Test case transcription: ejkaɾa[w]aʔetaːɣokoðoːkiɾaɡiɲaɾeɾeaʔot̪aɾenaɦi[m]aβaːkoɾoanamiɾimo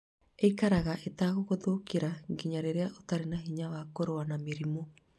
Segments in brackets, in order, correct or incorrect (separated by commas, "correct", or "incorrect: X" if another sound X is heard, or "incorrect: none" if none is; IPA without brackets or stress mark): incorrect: ɣ, incorrect: ɲ